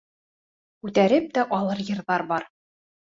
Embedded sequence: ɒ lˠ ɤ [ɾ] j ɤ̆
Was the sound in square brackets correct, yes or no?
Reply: yes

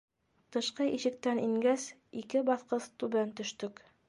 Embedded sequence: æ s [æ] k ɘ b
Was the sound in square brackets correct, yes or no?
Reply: no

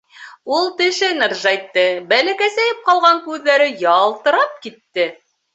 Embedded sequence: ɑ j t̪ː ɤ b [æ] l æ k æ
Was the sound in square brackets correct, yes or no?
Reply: yes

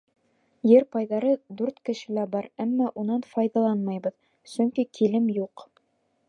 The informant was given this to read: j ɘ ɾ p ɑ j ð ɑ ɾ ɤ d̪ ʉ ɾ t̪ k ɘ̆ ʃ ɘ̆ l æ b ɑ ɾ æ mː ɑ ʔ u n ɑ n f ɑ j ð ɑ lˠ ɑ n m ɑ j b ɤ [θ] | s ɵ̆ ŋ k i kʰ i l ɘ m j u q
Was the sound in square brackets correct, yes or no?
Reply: no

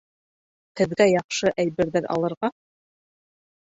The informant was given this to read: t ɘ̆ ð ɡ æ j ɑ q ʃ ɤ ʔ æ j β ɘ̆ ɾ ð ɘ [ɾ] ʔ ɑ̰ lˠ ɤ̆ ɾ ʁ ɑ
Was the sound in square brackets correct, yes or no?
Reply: yes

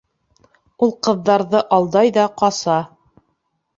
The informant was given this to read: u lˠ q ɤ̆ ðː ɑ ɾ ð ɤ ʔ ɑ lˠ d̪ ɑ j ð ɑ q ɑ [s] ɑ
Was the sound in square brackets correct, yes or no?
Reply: yes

